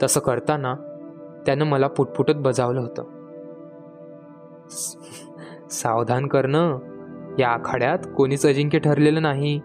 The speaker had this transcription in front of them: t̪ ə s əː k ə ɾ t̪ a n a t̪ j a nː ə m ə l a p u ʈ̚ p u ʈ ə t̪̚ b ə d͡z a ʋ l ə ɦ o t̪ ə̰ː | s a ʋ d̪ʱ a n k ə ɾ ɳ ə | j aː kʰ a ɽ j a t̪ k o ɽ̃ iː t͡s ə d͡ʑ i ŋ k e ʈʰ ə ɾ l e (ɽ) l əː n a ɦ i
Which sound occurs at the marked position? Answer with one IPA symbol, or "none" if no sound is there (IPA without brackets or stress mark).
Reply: none